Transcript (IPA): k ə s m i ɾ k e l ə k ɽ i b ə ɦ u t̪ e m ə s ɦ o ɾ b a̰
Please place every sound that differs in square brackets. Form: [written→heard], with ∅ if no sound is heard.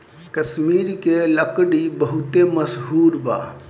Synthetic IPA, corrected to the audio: k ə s m i ɾ k e l ə k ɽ i b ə ɦ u t̪ e m ə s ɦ [o→u] ɾ b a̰